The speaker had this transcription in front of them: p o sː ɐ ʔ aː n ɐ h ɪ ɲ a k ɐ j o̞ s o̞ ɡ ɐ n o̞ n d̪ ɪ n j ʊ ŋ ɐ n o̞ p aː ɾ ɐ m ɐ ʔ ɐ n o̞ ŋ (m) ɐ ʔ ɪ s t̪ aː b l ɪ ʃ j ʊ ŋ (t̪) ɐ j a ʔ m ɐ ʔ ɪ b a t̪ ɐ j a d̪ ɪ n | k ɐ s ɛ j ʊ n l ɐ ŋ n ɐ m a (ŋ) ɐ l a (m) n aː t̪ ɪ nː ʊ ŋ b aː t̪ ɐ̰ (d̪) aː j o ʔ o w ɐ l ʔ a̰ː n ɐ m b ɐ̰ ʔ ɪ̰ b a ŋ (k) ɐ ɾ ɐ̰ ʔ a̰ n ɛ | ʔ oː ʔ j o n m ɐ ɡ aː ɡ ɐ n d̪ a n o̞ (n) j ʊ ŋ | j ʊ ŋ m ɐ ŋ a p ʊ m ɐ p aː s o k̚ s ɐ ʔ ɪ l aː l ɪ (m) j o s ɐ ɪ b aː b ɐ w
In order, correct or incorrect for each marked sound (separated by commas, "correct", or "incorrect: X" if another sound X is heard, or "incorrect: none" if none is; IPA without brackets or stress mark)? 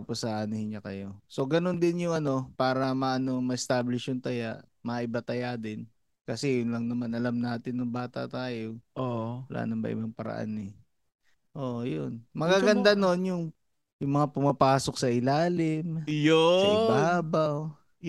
correct, correct, incorrect: n, correct, incorrect: t̪, incorrect: p, correct, correct